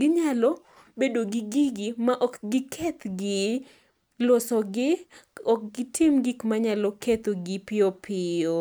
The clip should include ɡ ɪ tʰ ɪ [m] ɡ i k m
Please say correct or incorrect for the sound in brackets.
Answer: correct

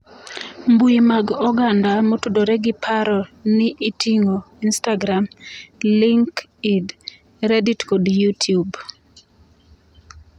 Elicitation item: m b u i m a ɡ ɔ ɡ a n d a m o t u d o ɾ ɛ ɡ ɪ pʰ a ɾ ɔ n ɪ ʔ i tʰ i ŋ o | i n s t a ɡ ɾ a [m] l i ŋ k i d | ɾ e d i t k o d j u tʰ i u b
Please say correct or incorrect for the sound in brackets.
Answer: correct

